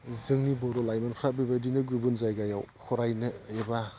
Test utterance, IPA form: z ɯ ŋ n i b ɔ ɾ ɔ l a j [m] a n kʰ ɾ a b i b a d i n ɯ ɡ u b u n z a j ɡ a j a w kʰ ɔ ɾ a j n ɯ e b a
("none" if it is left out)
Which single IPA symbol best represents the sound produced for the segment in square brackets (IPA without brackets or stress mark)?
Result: m